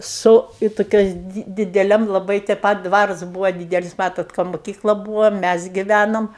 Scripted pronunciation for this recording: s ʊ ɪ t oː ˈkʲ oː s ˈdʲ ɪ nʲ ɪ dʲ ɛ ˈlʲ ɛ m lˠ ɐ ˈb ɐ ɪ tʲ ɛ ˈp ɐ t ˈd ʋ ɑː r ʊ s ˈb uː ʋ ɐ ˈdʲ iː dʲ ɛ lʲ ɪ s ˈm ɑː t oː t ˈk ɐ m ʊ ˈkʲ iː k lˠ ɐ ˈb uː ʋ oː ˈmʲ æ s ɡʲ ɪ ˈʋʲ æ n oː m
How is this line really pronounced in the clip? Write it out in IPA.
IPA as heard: s ʊ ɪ t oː ˈkʲ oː s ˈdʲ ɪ dʲ ɪ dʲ ɛ ˈlʲ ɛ m lˠ ɐ ˈb ɐ ɪ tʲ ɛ ˈp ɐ t ˈd ʋ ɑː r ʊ s ˈb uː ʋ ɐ ˈdʲ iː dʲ ɛ lʲ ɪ s ˈm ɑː t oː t ˈk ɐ m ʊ ˈkʲ iː k lˠ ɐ ˈb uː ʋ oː ˈmʲ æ s ɡʲ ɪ ˈʋʲ æ n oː m